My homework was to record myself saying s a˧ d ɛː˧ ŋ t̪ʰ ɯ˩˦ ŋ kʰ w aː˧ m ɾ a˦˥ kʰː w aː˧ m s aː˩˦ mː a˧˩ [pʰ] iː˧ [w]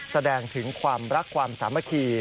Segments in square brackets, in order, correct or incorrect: incorrect: kʰ, incorrect: none

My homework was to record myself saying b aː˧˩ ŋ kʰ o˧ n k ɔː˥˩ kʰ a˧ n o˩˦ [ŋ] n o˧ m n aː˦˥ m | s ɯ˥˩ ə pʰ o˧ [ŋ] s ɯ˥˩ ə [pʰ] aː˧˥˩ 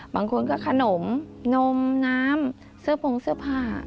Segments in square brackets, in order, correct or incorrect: incorrect: m, correct, correct

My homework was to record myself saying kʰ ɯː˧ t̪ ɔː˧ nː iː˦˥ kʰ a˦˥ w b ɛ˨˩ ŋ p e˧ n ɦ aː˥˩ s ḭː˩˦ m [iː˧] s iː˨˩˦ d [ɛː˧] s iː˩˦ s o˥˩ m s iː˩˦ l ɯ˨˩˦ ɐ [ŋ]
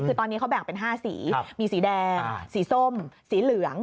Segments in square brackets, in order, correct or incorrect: correct, correct, correct

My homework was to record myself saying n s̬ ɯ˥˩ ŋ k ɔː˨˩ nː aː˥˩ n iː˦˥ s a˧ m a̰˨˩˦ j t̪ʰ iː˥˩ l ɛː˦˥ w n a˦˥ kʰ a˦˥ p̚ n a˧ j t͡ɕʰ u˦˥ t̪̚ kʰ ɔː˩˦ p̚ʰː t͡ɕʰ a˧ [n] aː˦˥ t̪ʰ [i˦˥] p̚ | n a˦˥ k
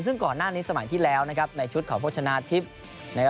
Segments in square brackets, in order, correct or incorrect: correct, correct

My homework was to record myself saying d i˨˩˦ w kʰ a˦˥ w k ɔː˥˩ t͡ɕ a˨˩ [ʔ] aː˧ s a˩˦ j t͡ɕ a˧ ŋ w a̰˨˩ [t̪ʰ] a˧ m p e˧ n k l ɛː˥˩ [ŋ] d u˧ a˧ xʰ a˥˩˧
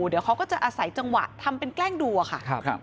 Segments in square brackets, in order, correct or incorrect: correct, correct, correct

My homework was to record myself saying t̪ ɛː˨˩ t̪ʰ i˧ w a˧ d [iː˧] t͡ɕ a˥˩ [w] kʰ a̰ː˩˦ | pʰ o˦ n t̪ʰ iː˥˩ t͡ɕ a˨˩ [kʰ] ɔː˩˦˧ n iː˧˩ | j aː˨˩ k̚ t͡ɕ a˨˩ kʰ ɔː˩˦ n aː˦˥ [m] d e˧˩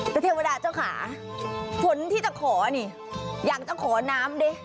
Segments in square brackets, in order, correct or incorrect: incorrect: aː˧, correct, correct, correct

